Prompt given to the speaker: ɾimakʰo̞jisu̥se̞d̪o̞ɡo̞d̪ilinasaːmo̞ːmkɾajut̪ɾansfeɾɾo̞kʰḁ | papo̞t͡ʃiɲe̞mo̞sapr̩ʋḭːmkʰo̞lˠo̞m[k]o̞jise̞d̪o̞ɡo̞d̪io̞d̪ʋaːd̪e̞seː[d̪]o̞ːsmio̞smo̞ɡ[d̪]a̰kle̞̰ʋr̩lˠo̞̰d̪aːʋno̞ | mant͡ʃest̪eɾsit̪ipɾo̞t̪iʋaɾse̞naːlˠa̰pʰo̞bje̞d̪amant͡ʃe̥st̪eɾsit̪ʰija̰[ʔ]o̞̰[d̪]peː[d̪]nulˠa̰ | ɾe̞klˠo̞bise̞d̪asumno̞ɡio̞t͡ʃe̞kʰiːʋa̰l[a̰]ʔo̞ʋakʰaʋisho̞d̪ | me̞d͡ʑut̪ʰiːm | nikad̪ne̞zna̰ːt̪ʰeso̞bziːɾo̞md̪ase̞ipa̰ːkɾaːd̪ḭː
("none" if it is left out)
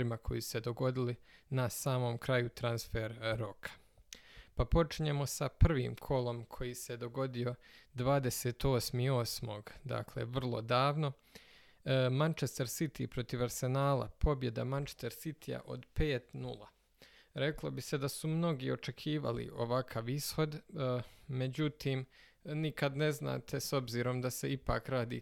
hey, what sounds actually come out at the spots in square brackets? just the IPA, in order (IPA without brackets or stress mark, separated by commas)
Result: kʰ, t̪, d̪, ʔ, d̪, t̪, ḭ